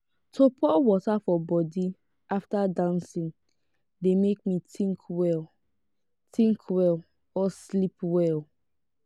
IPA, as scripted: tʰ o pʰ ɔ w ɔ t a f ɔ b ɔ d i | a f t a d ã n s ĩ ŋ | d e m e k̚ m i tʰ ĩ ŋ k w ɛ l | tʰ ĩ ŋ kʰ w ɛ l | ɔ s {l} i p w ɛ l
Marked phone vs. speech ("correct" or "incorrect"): correct